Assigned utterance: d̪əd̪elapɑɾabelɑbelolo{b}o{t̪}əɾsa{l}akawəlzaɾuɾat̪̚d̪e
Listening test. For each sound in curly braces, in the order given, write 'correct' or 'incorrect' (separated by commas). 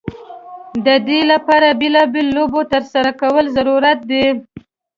correct, correct, incorrect